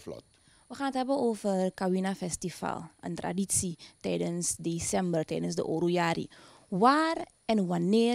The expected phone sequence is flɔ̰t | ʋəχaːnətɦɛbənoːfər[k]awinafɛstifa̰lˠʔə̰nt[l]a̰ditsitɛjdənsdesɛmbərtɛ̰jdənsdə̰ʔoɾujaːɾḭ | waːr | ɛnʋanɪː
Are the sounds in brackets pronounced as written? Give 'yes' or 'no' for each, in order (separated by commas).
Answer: yes, no